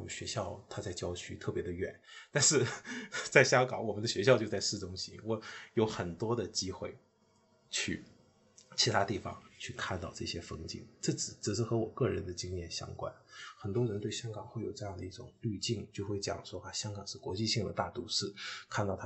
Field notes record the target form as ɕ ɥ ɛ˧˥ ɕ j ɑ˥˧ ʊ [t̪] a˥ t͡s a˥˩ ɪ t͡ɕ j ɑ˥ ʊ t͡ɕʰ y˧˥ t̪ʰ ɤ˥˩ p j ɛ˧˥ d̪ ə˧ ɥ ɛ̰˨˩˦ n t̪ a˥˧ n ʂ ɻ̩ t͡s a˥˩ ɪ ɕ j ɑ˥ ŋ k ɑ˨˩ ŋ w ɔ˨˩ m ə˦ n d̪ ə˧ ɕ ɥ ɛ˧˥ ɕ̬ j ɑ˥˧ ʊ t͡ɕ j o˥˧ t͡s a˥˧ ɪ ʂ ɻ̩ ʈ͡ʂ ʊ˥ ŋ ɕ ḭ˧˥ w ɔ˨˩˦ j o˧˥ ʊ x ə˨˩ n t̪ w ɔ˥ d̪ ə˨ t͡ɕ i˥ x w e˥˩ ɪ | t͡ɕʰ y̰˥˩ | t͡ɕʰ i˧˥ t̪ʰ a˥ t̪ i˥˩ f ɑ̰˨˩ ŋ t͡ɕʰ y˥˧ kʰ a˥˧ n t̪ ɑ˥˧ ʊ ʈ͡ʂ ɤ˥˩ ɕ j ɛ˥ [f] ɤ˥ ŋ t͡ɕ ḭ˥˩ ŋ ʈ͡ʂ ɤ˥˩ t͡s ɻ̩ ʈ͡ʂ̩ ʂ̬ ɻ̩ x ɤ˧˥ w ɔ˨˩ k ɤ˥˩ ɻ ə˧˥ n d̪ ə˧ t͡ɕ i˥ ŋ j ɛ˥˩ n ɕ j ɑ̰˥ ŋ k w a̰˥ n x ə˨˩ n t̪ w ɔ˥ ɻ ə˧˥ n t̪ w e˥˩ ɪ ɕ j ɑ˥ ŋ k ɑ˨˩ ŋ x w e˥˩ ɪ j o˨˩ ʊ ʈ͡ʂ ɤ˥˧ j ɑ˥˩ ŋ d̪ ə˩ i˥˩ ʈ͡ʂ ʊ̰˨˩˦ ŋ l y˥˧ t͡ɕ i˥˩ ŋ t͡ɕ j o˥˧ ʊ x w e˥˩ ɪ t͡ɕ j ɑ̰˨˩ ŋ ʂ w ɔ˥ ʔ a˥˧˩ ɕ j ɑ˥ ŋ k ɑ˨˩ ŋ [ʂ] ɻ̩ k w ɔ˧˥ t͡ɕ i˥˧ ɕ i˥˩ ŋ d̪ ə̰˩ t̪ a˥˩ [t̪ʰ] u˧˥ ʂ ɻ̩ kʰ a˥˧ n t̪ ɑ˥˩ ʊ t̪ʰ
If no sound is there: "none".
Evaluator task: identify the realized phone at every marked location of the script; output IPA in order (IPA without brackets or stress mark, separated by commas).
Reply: t̪ʰ, f, ʂ, t̪